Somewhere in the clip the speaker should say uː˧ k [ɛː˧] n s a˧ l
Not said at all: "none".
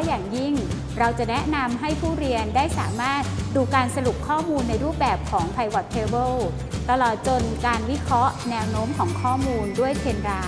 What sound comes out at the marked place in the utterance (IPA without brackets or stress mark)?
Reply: aː˧